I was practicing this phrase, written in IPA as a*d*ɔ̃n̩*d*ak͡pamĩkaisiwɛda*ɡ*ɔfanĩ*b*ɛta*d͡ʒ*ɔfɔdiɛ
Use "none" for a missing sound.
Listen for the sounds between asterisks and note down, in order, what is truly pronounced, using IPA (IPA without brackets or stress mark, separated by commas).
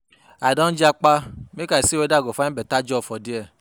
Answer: d, d͡ʒ, ɡ, b, d͡ʒ